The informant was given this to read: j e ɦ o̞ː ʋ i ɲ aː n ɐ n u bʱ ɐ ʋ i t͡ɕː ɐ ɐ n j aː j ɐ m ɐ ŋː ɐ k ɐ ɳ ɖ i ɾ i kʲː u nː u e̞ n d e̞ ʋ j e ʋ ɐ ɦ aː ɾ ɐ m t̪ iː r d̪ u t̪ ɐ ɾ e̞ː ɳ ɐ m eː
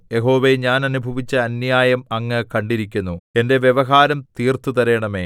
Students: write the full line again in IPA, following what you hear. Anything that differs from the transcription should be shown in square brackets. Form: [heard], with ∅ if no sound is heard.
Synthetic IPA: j e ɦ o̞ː ʋ [e] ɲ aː n ɐ n u bʱ ɐ ʋ i t͡ɕː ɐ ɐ n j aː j ɐ m ɐ ŋː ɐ k ɐ ɳ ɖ i ɾ i kʲː u nː u e̞ n d e̞ ʋ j e ʋ ɐ ɦ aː ɾ ɐ m t̪ iː r [t̪] u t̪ ɐ ɾ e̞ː ɳ ɐ m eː